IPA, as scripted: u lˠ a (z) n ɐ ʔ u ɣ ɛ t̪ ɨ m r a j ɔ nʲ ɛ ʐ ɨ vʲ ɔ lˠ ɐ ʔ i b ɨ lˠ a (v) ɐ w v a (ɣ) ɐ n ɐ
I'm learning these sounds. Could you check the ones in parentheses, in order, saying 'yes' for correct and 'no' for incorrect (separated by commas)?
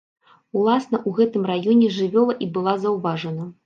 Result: no, no, no